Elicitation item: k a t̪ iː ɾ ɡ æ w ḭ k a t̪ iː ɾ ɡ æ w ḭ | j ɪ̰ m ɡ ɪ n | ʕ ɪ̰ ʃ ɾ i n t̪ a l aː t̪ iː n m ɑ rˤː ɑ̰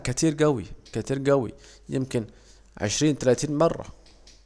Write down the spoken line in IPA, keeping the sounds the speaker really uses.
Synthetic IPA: k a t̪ iː ɾ ɡ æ w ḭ k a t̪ iː ɾ ɡ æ w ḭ | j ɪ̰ m k ɪ n | ʕ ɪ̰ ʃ ɾ iː n t̪ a l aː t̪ iː n m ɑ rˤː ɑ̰

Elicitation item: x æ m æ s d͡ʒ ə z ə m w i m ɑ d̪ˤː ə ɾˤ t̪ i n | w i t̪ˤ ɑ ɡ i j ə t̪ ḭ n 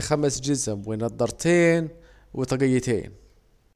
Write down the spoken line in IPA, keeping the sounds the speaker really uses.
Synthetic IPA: x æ m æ s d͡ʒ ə z ə m w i n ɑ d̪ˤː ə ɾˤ t̪ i n | w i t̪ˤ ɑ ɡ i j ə t̪ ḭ n

